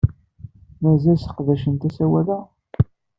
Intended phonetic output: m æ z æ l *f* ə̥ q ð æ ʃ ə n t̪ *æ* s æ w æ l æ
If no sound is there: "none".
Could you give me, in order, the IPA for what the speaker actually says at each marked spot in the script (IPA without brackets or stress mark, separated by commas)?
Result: s, æ